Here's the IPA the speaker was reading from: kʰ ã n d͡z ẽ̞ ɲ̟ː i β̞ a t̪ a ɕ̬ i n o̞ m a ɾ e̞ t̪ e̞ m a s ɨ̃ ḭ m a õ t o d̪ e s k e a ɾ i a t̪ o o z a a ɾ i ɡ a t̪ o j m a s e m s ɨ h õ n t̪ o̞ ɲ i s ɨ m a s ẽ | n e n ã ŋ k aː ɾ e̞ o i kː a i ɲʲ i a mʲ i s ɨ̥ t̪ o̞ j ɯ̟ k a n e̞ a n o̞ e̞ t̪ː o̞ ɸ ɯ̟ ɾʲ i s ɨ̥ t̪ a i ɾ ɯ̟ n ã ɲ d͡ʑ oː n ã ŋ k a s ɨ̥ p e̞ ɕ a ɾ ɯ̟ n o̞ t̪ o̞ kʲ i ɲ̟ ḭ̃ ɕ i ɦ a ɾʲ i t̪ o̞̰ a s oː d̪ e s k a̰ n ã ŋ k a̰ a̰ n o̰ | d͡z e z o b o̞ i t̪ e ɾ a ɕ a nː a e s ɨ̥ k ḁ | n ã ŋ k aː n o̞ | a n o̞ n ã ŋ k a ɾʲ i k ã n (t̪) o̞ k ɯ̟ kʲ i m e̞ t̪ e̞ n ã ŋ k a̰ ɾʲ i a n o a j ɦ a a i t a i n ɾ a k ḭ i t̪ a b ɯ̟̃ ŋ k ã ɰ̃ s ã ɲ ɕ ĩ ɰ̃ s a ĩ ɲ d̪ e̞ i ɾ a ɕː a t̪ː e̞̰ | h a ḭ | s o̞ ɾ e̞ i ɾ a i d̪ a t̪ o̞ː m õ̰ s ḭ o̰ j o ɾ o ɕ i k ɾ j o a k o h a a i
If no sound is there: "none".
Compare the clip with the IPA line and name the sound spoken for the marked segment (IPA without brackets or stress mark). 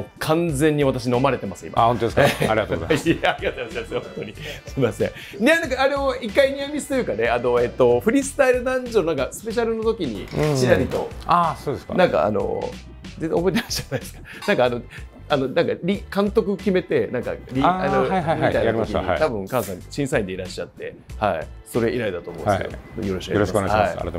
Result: t̪